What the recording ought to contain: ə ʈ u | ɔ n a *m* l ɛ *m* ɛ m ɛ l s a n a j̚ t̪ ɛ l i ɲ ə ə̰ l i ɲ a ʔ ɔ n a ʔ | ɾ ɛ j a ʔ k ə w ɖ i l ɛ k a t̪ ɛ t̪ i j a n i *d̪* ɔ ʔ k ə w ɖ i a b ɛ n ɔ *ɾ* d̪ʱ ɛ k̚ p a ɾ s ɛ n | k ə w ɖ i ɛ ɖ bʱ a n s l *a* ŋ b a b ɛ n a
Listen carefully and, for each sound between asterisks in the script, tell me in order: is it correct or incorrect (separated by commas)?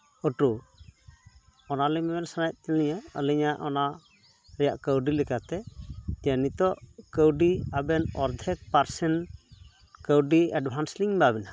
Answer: incorrect, correct, incorrect, correct, incorrect